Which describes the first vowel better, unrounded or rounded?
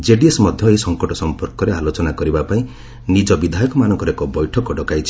unrounded